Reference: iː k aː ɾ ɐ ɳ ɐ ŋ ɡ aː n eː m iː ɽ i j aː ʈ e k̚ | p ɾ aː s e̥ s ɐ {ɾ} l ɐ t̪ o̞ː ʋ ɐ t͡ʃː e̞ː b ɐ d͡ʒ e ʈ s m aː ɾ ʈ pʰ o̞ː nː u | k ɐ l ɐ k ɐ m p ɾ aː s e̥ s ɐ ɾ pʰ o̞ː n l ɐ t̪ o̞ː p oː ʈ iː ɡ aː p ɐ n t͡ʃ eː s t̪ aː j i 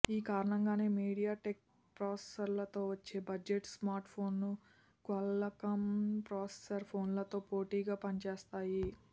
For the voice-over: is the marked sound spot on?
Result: yes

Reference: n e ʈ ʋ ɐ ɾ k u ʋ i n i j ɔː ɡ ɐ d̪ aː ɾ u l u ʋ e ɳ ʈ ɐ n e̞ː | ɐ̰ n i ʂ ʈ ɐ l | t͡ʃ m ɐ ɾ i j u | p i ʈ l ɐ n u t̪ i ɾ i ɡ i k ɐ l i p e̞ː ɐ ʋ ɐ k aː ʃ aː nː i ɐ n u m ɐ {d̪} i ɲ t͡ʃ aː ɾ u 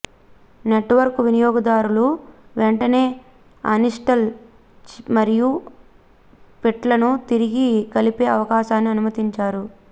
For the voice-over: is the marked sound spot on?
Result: no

